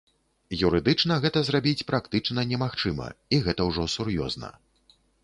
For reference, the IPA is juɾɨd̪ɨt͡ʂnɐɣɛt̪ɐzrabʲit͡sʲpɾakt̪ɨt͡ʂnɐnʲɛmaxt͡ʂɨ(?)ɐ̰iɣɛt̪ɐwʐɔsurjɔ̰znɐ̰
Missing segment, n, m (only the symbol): m